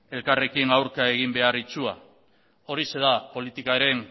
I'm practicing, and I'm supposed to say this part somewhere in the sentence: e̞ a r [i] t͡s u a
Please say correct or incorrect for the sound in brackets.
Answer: correct